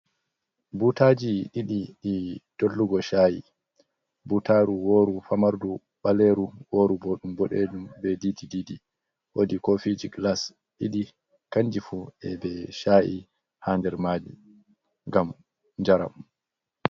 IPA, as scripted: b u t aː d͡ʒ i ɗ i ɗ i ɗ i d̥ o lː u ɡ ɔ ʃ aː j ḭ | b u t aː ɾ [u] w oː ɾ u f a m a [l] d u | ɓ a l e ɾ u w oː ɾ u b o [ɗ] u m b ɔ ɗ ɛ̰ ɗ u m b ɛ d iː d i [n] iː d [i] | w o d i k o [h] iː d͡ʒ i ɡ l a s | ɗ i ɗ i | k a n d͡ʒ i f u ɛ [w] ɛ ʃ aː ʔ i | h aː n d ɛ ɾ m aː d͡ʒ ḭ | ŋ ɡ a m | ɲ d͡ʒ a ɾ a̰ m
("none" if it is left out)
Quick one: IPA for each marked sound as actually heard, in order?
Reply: u, ɾ, ɗ, d, i, f, b

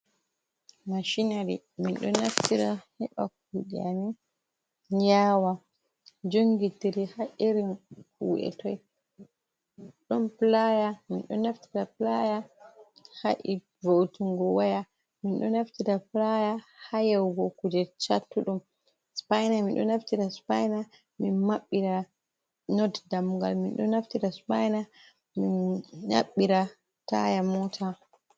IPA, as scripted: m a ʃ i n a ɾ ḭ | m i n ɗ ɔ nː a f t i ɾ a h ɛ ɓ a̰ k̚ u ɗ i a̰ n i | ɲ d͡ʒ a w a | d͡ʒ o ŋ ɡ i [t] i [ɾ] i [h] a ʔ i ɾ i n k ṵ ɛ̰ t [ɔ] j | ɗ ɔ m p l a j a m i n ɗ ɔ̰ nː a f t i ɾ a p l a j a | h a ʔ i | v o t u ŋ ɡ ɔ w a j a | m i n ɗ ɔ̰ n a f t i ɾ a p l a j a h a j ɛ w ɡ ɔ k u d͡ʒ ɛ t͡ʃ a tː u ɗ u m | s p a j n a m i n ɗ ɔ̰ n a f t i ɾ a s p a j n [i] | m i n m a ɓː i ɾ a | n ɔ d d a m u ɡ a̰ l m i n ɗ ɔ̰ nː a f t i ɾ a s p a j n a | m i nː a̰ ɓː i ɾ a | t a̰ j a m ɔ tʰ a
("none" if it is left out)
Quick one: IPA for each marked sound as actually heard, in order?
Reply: t, ɾ, h, ɔ, a

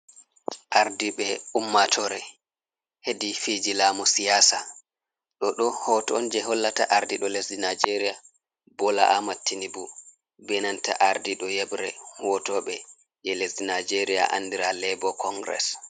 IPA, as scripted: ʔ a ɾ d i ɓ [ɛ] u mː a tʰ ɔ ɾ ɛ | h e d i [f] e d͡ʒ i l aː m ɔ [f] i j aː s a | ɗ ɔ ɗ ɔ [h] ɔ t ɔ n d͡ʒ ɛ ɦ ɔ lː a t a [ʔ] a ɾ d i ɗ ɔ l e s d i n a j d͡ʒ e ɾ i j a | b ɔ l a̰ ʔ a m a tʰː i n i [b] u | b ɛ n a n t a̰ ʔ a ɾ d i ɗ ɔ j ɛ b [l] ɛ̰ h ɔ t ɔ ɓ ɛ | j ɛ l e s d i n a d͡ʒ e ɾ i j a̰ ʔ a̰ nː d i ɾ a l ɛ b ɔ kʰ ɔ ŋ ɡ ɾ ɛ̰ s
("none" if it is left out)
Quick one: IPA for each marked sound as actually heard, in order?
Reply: ɛ, f, s, h, ʔ, b, ɾ

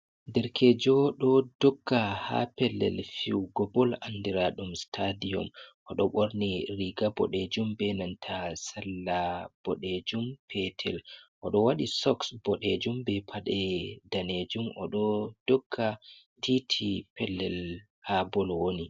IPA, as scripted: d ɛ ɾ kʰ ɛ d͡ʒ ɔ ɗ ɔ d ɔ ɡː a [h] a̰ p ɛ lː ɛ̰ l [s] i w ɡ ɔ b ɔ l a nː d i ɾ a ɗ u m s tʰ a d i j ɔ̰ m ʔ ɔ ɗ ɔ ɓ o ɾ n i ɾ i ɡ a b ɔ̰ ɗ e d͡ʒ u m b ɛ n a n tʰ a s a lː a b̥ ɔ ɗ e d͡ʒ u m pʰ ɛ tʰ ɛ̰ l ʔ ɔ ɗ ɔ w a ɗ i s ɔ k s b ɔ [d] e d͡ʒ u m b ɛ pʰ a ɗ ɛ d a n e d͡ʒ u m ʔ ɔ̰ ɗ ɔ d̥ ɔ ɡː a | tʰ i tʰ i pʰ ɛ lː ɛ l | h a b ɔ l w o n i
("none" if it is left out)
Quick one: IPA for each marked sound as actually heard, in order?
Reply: h, f, ɗ

